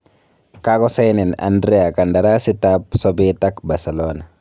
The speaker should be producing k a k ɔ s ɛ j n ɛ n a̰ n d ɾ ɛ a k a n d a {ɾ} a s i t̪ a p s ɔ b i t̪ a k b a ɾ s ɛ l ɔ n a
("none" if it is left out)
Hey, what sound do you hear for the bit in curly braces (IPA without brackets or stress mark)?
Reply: ɾ